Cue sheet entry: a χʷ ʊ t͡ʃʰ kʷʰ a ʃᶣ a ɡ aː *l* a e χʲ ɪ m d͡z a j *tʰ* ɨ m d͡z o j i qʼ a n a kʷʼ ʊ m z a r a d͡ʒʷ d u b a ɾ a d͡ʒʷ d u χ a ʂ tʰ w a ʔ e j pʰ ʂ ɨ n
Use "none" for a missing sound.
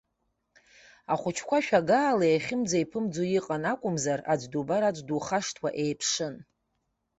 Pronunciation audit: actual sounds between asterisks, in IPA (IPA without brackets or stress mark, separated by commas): l, pʰ